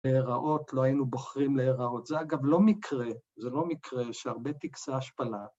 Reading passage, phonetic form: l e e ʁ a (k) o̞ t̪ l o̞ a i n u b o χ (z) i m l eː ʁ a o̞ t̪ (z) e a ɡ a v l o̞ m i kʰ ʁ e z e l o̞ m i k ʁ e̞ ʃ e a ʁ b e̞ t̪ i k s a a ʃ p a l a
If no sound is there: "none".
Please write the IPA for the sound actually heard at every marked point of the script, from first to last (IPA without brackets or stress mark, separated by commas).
ʔ, ʁ, z